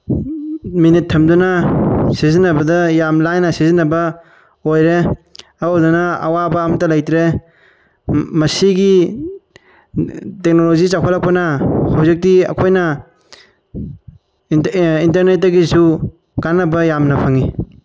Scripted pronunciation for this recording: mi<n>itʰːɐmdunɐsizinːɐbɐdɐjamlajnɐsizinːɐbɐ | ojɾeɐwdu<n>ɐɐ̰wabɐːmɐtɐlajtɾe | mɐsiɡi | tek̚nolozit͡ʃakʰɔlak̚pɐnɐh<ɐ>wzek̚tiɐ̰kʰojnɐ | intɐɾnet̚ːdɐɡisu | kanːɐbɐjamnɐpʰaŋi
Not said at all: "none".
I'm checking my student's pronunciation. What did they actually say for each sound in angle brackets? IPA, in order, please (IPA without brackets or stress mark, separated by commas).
n, n, a